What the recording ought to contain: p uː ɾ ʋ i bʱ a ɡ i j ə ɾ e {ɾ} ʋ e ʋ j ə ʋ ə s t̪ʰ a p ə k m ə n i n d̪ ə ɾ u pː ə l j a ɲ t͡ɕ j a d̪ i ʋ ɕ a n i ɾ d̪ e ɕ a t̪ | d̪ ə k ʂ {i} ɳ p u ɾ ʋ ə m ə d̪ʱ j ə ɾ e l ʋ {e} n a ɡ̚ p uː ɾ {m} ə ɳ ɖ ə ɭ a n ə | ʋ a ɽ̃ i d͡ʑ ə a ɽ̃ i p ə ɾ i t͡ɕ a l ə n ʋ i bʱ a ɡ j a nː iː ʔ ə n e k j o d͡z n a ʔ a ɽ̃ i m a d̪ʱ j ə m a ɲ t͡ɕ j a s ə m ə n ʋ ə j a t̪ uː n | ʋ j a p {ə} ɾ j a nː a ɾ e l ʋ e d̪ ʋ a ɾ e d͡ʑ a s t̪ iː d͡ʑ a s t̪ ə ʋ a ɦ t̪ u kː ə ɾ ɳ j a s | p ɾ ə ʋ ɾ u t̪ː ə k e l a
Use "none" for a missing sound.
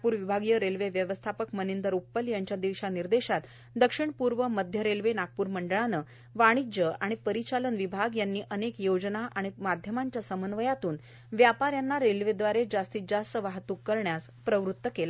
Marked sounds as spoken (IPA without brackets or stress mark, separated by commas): l, i, e, m, a